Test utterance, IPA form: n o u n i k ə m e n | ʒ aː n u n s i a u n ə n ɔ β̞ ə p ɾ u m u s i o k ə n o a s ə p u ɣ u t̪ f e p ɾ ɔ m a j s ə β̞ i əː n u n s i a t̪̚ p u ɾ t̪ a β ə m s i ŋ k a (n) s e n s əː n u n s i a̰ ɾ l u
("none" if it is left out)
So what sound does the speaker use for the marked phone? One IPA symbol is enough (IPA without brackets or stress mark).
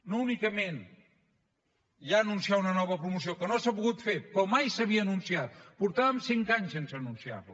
ɲ